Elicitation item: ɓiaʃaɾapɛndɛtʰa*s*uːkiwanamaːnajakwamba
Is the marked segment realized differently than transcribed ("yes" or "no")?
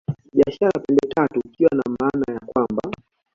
yes